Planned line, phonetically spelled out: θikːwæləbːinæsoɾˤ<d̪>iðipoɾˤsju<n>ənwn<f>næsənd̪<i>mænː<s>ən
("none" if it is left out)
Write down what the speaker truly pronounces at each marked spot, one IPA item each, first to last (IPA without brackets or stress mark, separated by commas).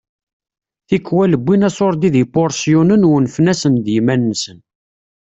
d̪, n, f, j, s